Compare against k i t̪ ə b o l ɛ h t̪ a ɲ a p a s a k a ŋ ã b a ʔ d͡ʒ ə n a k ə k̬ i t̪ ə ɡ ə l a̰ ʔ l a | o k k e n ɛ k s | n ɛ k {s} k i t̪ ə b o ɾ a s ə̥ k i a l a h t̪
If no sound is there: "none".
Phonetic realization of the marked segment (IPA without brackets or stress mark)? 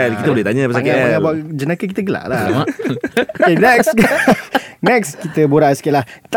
s